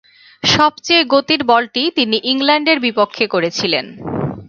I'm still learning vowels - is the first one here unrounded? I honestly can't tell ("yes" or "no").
no